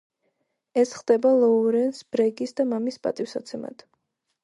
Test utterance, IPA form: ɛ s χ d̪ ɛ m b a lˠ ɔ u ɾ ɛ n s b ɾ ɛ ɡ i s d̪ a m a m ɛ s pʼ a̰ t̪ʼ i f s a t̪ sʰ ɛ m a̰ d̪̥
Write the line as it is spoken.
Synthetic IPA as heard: ɛ s χ d̪ ɛ b a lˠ ɔ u ɾ ɛ n s b ɾ ɛ ɡ i s d̪ a m a m i s pʼ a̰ t̪ʼ i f s a t̪ sʰ ɛ m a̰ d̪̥